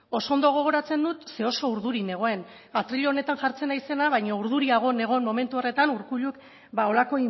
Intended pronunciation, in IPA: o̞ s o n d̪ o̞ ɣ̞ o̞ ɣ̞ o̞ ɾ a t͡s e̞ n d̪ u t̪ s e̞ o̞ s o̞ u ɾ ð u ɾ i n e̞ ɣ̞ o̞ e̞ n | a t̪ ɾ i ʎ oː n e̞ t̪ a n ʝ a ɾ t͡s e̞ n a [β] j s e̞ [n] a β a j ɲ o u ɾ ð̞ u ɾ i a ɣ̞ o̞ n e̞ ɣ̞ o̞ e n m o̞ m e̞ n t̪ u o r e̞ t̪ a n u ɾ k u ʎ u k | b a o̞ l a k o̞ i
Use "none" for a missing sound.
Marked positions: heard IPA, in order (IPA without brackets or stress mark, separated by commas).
none, n